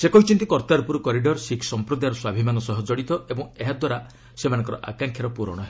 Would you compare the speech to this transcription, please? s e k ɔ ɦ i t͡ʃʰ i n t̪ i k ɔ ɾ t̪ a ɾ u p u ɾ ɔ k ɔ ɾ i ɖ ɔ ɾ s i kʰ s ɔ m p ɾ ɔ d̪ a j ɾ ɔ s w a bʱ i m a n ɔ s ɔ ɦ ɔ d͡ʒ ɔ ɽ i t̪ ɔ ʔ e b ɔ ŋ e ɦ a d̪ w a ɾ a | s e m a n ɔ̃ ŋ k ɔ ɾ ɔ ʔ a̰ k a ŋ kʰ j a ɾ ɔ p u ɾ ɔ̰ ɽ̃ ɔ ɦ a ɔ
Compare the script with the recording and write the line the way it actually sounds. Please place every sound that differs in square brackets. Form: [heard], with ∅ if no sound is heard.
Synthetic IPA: s e k ɔ ɦ i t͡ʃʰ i n t̪ i k ɔ ɾ t̪ a ɾ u p u ɾ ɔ k ɔ ɾ i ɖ ɔ ɾ s i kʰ s ɔ m p ɾ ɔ d̪ a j ɾ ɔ s w a bʱ i m a n ɔ s ɔ ɦ ɔ d͡ʒ ɔ ɽ i t̪ ɔ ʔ e b ɔ ŋ e ɦ a d̪ w a ɾ a | s e m a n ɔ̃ ŋ k ɔ ɾ ɔ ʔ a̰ k a ŋ kʰ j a ɾ ɔ p u ɾ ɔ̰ ɽ̃ ɔ ɦ [e] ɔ